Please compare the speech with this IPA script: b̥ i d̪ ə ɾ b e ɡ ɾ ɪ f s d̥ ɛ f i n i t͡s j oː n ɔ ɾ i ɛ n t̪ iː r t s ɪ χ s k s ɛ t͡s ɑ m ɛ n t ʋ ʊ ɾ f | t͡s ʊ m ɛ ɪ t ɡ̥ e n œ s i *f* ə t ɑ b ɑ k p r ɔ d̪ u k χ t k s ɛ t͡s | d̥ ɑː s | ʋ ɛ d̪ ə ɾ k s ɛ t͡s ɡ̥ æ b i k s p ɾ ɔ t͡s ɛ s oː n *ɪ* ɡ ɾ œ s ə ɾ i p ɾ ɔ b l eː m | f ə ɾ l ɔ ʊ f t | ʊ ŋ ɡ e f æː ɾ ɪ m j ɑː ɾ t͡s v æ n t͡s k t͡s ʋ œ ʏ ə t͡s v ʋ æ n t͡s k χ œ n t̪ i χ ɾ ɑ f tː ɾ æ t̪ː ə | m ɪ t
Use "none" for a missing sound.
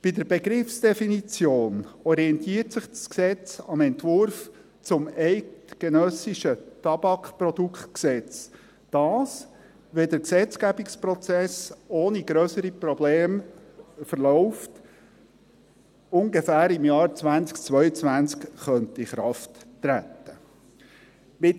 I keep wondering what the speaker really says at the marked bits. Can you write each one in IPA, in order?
ʃ, i

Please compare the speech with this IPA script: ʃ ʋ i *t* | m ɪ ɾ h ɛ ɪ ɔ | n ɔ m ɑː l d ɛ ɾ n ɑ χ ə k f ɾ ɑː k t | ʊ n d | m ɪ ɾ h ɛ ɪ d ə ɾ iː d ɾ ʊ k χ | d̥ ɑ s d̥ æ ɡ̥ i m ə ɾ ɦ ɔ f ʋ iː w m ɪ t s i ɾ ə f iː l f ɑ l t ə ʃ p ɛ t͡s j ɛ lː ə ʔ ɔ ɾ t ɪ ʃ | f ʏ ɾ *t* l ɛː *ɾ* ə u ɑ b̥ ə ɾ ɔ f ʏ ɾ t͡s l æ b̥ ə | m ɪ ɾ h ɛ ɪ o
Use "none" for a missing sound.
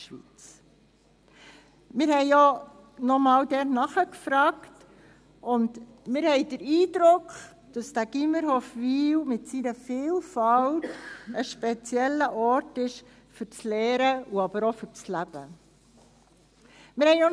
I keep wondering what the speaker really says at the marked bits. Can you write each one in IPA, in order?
t͡s, t͡s, ɾ

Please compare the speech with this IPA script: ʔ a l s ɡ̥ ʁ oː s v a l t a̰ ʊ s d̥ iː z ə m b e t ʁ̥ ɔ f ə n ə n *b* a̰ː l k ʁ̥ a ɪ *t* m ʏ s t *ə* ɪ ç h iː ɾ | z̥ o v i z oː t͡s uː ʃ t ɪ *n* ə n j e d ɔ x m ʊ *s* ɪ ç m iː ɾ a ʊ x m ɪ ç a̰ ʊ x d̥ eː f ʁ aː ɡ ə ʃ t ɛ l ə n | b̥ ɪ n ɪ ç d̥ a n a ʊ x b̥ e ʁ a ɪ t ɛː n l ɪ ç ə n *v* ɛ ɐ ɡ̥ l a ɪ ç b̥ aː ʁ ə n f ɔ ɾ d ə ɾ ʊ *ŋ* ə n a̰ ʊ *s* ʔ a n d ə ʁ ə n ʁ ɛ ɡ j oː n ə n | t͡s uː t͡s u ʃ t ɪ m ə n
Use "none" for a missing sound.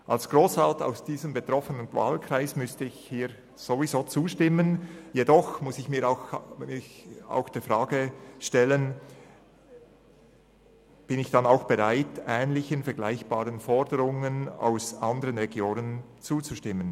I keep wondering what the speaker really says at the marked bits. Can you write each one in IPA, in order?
v, s, ə, m, s, f, ŋ, s

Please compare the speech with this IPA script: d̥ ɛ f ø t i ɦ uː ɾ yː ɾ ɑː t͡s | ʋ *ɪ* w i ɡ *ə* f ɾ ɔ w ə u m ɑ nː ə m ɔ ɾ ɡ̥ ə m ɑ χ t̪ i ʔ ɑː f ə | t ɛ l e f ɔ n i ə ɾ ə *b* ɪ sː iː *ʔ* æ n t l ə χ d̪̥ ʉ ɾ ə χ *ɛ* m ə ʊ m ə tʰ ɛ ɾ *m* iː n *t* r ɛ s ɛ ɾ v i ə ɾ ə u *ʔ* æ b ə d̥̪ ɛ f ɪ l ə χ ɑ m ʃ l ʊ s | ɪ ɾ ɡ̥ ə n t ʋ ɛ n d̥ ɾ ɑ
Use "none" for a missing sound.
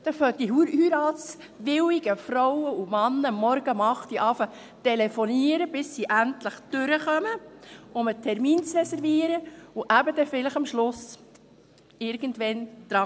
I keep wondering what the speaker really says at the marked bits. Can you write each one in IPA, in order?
ɪ, ə, b, ʔ, œ, m, t͡s, ʔ

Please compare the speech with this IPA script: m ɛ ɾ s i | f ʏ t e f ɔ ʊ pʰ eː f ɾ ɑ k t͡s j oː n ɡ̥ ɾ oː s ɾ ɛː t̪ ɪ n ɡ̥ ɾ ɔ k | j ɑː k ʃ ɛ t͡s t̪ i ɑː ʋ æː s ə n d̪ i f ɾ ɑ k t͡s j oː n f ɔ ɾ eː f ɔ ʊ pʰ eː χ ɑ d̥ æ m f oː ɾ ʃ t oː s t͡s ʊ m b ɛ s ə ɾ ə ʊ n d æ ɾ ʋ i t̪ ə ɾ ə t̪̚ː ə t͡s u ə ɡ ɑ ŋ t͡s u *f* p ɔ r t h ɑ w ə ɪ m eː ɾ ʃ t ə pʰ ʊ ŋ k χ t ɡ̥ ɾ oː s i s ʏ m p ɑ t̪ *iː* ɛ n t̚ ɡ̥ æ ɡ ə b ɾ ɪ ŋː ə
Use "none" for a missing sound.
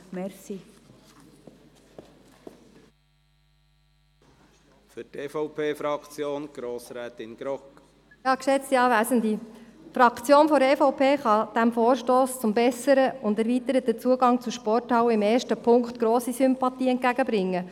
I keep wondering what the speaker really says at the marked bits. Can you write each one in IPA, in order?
ʃ, iː

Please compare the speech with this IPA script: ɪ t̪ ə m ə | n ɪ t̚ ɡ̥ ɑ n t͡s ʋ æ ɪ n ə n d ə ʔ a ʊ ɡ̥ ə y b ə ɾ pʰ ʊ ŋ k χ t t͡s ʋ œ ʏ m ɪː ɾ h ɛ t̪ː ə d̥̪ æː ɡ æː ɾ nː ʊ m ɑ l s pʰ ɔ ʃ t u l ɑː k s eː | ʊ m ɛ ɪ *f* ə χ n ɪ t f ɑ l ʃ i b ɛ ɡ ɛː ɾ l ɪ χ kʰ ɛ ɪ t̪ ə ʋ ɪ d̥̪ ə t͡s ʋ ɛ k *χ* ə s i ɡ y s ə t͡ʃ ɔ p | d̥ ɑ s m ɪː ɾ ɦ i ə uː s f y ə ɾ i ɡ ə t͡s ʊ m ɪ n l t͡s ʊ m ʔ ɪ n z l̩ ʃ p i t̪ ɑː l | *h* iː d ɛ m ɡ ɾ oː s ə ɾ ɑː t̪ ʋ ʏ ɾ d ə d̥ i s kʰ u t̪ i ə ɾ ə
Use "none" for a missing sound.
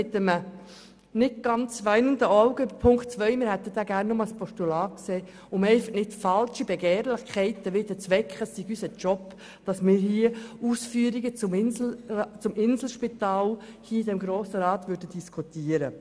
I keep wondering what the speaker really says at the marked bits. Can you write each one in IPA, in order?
f, χ, h

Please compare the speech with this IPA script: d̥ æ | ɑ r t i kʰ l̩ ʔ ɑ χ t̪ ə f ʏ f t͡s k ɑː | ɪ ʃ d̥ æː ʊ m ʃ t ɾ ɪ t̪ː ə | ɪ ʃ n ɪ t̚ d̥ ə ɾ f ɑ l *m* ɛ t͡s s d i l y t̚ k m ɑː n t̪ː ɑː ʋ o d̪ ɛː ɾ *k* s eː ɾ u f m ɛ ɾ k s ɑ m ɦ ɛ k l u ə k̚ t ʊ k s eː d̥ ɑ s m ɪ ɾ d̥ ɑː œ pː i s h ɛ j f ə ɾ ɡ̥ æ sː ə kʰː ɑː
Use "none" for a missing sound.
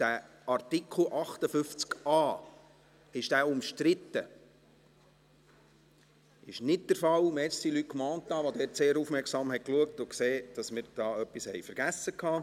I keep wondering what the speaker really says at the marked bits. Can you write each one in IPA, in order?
m, t

